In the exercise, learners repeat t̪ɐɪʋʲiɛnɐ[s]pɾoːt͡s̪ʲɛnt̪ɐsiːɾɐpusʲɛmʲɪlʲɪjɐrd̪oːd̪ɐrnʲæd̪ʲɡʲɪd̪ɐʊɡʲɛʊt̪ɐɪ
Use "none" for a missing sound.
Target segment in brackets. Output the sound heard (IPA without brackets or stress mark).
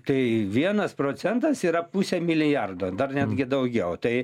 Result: s